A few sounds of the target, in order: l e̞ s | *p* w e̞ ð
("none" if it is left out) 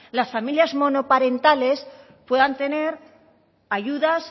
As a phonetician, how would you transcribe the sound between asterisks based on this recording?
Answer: p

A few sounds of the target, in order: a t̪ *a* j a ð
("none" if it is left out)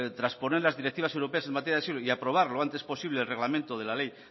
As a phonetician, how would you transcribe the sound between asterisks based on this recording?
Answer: e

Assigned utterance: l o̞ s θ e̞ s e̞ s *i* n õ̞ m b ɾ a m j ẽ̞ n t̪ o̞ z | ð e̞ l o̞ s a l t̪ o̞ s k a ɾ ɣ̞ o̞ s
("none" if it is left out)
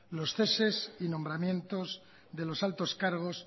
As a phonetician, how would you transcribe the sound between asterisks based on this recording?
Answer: i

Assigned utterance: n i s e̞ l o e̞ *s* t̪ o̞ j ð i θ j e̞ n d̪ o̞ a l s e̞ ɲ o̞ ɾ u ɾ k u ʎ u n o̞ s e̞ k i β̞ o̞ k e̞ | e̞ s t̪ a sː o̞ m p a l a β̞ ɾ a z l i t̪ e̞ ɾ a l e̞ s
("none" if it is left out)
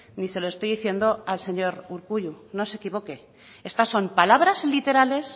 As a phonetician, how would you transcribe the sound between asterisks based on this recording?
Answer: s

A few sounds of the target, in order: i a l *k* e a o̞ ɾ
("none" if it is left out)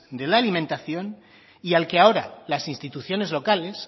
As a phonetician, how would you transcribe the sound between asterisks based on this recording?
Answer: k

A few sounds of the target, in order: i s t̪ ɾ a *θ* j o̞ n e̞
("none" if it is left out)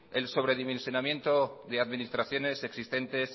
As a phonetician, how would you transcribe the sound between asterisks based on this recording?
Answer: θ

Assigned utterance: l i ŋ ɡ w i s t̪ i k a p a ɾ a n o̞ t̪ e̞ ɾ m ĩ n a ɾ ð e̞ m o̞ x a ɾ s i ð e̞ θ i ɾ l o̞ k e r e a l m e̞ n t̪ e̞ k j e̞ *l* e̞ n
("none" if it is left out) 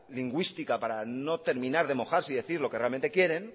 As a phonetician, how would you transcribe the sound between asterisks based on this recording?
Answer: ɾ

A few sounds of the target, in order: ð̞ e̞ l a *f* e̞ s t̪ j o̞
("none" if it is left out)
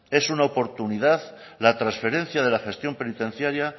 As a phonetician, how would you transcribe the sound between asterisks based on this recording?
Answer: x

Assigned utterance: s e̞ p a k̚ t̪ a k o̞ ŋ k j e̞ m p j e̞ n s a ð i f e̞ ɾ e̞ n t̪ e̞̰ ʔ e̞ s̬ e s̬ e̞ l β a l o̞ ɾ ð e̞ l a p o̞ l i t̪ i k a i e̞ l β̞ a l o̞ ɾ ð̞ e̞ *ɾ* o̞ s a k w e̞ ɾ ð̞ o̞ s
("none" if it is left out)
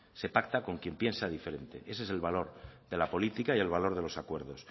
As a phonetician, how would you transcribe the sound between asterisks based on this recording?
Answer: l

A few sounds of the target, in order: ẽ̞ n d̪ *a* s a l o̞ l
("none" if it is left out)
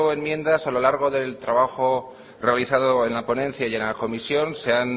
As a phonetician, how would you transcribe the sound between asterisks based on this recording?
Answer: a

